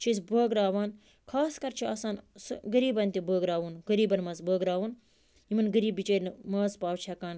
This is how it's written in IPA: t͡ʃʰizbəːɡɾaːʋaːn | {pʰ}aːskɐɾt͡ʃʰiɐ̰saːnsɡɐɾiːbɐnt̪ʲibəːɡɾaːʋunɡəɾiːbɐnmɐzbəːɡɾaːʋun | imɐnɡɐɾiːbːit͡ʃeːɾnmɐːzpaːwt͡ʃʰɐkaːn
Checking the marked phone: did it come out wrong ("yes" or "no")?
yes